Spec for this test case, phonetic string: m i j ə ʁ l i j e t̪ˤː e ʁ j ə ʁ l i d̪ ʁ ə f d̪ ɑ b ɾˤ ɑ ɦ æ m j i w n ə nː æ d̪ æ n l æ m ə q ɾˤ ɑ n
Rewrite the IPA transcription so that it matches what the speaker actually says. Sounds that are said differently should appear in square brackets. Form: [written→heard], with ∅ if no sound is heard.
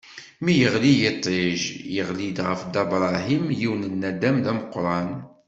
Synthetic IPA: m i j ə ʁ l i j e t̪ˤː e [ʁ→ʒ] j ə ʁ l i d̪ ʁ ə f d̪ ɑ b ɾˤ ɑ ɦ [æ→i] m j i w n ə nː æ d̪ æ [n→m] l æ m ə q ɾˤ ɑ n